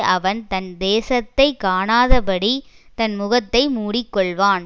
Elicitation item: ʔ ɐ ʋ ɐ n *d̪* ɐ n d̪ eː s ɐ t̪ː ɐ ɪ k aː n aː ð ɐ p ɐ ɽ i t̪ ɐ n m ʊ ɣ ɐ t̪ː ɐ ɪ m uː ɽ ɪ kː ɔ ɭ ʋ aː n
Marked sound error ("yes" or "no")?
yes